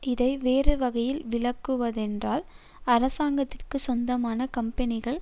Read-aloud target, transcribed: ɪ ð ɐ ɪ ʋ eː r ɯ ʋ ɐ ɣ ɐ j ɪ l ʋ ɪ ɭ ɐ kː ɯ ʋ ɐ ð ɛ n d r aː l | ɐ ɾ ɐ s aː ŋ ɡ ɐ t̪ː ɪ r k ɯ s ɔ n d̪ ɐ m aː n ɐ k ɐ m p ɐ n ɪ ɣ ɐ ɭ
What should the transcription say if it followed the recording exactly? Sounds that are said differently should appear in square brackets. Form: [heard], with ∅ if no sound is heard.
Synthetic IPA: ɪ ð ɐ ɪ ʋ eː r ɯ ʋ ɐ ɣ ɐ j ɪ l ʋ ɪ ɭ ɐ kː ɯ ʋ ɐ ð ɛ n d r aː l | ɐ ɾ ɐ s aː ŋ ɡ ɐ t̪ː ɪ r k ɯ s ɔ n d̪ ɐ m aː n ɐ k ɐ m p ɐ n ɪ ɣ ɐ ɭ